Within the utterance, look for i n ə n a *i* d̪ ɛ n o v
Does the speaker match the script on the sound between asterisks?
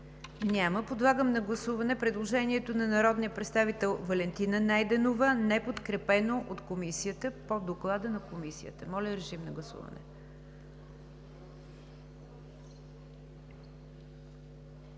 no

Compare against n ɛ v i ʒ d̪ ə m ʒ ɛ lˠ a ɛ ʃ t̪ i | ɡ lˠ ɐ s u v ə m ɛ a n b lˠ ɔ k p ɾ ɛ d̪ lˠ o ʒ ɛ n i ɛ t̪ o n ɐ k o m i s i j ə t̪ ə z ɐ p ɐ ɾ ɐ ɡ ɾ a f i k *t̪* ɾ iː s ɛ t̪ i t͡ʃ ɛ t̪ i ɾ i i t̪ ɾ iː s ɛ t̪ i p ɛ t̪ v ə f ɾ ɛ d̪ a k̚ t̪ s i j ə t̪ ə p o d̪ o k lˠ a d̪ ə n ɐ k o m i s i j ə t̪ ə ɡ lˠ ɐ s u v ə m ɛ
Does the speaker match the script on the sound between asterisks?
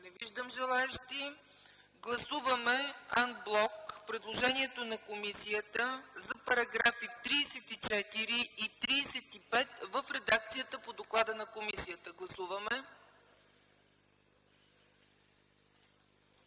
yes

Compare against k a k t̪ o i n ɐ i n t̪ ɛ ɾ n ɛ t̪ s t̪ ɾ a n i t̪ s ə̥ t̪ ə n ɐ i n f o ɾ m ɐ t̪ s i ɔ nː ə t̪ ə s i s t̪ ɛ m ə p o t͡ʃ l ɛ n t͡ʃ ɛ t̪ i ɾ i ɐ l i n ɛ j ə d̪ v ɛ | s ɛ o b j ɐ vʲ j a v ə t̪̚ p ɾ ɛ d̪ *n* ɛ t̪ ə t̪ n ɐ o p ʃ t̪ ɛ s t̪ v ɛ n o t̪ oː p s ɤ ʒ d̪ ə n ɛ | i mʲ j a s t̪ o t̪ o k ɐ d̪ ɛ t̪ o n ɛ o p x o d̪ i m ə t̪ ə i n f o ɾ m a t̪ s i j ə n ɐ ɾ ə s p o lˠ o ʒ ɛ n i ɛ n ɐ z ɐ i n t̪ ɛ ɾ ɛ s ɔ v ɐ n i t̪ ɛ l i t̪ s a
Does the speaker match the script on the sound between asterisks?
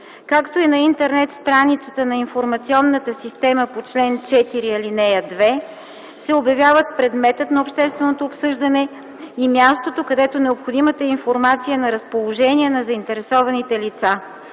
no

